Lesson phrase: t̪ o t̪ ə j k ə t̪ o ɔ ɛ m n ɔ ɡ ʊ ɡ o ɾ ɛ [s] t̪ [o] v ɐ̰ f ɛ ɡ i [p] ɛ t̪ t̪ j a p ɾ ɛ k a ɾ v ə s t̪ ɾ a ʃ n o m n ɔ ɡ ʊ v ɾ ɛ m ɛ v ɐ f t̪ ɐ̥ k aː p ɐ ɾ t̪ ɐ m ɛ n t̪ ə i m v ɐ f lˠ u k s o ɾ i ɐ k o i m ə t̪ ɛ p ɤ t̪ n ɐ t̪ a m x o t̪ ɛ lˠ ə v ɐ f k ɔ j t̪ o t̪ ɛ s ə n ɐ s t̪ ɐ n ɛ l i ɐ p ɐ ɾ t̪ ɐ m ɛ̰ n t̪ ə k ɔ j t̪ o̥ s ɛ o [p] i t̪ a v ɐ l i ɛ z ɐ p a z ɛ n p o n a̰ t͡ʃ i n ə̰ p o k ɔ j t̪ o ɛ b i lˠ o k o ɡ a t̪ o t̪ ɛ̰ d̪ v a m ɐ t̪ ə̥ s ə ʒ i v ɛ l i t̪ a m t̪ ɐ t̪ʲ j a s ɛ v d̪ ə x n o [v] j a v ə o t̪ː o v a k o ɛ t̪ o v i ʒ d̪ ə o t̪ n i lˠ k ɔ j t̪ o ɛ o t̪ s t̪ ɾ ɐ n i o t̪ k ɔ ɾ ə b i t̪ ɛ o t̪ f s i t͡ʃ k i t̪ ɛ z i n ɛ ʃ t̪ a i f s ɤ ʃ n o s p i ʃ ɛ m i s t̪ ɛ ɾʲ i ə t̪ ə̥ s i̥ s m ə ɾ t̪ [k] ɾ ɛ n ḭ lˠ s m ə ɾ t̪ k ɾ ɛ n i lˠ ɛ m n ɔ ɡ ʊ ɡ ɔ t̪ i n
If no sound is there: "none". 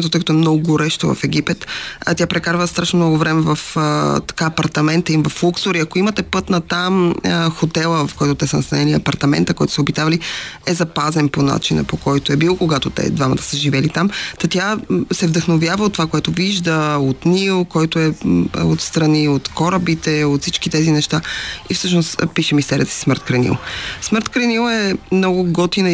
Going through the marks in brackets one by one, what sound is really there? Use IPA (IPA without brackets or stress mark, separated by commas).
ʃ, o, p, b, v, k